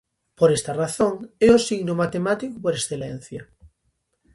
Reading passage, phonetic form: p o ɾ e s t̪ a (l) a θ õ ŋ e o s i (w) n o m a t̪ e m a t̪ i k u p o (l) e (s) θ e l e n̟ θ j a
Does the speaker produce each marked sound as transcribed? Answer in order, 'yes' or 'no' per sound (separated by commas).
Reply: no, no, no, yes